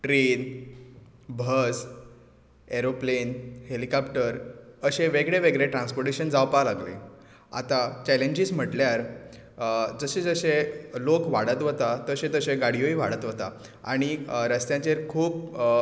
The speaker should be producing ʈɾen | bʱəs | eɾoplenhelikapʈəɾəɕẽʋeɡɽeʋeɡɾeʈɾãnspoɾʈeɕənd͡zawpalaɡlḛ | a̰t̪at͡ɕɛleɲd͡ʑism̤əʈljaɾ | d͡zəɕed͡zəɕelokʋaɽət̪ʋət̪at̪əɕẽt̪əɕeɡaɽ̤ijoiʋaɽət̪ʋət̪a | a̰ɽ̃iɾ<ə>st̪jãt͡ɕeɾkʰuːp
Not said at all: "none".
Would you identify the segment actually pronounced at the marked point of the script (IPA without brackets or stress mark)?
ə